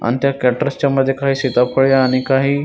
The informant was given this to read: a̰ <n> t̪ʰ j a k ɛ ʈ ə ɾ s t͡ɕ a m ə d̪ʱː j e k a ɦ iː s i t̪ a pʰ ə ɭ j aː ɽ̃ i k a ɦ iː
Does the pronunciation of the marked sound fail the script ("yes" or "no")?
no